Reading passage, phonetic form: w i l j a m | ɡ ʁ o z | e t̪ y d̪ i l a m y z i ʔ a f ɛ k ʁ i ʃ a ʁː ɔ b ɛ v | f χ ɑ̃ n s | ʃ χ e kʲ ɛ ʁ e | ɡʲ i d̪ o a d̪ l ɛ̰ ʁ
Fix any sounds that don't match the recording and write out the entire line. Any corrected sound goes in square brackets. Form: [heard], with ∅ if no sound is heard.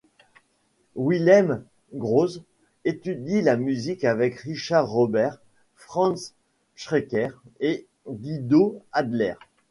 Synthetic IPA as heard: w i l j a m | ɡ ʁ o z | e t̪ y d̪ i l a m y z i [k] a [v] ɛ k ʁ i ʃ a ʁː ɔ b ɛ [ʁ] | f χ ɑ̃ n s | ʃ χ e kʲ ɛ ʁ e | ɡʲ i d̪ o a d̪ l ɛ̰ ʁ

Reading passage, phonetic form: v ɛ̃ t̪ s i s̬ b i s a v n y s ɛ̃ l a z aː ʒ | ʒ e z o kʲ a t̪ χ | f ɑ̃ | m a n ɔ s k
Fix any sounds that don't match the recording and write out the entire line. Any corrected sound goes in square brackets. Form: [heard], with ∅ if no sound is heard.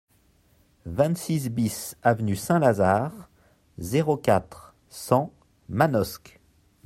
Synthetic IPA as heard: v ɛ̃ t̪ s i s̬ b i s a v n y s ɛ̃ l a z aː [ʁ] | [z] e [ʁ] o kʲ a t̪ χ | [s] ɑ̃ | m a n ɔ s k

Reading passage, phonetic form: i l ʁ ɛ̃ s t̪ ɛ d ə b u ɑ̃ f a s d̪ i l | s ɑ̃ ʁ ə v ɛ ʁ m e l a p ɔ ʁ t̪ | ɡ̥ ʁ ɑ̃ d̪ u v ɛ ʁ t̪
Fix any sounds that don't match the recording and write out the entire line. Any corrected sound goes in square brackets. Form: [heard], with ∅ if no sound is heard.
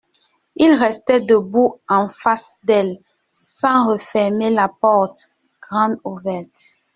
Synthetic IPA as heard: i l ʁ [ɛ] s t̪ ɛ d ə b u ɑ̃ f a s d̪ [ɛ] l | s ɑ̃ ʁ ə [f] ɛ ʁ m e l a p ɔ ʁ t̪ | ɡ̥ ʁ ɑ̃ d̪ u v ɛ ʁ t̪

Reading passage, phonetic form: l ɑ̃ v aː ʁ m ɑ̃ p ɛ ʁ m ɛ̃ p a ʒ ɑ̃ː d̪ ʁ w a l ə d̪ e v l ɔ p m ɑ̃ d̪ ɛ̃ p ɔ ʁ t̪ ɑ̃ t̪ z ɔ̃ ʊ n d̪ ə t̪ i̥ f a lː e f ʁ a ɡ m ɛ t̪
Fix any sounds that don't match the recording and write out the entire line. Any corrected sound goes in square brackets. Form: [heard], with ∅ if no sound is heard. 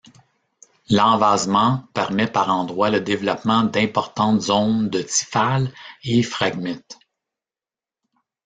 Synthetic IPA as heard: l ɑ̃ v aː [z] m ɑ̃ p ɛ ʁ m [ɛ] p a [ʁ] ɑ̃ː d̪ ʁ w a l ə d̪ e v l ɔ p m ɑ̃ d̪ ɛ̃ p ɔ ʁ t̪ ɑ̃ t̪ z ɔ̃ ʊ n d̪ ə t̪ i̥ f a [l] e f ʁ a ɡ m ɛ t̪

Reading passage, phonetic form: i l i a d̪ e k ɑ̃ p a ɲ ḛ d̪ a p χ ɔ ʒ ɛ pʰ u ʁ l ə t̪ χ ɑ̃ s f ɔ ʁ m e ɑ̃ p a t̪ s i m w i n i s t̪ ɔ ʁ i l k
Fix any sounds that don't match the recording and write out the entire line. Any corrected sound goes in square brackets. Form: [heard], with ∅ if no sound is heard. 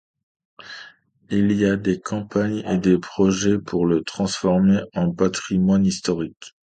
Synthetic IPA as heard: i l i a d̪ e k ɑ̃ p a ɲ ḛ d̪ [e] p χ ɔ ʒ ɛ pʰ u ʁ l ə t̪ χ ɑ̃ s f ɔ ʁ m e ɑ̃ p a t̪ [χ] i m w [a] n i s t̪ ɔ ʁ i [∅] k

